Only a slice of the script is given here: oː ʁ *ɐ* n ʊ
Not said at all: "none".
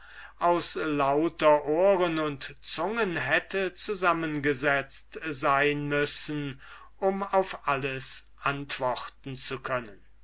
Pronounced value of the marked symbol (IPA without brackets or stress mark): ə